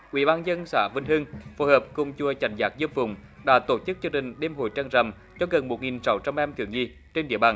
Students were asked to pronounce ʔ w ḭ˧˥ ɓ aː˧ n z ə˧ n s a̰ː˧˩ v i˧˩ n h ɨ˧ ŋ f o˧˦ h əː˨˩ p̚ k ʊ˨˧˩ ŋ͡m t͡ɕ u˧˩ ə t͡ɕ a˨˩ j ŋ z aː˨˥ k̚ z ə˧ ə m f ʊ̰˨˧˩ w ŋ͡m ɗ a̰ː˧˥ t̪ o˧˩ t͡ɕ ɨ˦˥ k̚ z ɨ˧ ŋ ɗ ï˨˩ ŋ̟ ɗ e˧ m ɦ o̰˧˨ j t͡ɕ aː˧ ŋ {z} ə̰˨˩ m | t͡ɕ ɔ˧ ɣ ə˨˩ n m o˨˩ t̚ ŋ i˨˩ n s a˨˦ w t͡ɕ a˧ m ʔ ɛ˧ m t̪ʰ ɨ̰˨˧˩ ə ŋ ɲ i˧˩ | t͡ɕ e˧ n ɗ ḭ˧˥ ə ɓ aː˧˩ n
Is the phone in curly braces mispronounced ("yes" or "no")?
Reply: no